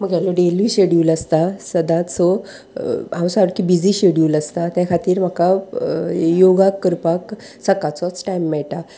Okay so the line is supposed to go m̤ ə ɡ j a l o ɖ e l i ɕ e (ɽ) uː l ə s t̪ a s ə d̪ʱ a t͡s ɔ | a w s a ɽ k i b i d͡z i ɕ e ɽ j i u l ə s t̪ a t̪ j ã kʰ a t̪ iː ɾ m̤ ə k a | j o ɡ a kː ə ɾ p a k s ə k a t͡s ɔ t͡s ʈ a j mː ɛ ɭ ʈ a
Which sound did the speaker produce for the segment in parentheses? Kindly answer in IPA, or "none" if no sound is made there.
ɽ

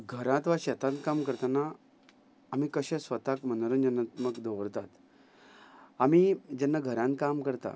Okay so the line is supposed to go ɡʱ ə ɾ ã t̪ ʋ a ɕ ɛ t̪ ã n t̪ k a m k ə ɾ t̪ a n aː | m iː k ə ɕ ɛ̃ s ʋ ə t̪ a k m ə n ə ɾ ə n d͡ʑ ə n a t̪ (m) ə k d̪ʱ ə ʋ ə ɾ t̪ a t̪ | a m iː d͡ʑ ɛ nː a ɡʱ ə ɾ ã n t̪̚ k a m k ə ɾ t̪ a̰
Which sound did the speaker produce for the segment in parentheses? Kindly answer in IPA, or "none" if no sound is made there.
m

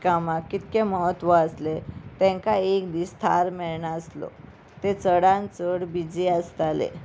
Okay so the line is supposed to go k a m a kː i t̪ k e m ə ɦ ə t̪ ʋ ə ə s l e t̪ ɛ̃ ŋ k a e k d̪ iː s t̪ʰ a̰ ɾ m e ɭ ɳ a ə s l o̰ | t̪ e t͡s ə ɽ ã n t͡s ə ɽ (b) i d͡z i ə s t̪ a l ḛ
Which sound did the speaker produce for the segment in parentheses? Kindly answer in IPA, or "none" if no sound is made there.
b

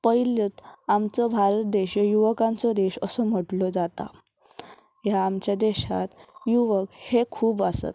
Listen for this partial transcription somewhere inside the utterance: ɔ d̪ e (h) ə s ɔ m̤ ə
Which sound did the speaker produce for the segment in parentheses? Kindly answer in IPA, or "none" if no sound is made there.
ɕ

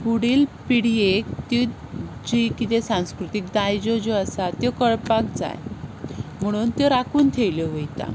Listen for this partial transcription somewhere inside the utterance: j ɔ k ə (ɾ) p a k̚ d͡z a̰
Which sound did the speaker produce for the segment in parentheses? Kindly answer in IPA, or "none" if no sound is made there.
ɭ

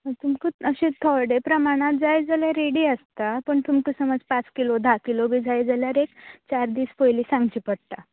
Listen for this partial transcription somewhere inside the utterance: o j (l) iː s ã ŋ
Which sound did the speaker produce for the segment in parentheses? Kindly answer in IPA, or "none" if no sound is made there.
l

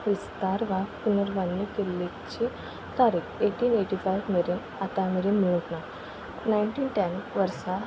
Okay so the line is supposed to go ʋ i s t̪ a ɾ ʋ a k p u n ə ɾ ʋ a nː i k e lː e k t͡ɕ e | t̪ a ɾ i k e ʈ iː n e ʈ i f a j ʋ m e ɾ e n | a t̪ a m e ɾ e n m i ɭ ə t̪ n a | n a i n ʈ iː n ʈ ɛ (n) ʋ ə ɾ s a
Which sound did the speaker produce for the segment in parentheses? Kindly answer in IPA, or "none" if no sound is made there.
n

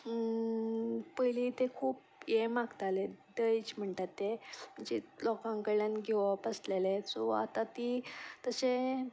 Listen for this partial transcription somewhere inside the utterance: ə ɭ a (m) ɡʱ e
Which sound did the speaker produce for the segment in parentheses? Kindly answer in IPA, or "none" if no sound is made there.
n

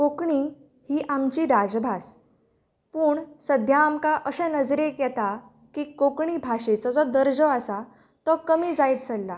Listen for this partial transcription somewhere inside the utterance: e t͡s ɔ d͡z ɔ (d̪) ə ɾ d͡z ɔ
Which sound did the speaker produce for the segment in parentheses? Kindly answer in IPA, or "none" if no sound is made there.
d̪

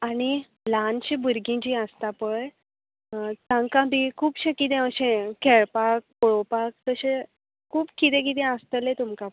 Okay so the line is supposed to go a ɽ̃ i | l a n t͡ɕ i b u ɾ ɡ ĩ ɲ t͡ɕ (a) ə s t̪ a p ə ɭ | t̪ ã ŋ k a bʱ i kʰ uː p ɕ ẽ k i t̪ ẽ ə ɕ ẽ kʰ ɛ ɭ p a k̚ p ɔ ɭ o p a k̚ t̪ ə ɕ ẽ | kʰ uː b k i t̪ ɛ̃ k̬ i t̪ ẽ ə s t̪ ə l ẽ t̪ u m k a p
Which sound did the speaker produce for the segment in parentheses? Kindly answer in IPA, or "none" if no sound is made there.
i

